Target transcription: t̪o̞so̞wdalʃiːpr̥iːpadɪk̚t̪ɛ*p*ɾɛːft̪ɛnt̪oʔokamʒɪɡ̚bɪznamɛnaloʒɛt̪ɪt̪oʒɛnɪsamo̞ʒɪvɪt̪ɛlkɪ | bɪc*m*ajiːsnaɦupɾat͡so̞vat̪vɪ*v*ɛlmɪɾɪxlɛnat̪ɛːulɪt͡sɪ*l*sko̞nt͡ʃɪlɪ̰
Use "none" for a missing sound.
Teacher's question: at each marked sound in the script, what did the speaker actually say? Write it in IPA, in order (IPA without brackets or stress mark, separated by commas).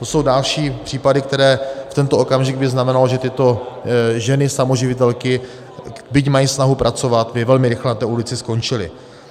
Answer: none, m, v, none